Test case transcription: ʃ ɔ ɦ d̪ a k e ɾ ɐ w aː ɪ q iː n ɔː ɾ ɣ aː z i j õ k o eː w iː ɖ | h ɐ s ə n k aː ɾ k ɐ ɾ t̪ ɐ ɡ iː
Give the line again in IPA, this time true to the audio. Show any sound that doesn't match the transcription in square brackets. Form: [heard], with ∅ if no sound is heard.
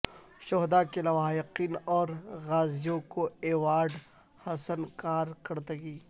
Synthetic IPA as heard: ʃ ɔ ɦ d̪ a k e [l] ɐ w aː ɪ q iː n ɔː ɾ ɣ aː z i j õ k o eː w [aː] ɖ | h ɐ s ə n k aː ɾ k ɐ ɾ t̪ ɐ ɡ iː